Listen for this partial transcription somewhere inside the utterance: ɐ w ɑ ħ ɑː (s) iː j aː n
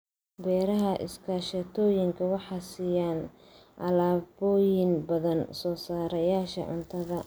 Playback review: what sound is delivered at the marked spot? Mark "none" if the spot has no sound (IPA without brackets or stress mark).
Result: s